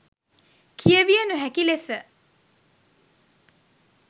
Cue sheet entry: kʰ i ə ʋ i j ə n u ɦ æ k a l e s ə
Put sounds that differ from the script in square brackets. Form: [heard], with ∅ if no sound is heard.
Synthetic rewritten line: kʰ i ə ʋ i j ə n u ɦ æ k [i] l e s ə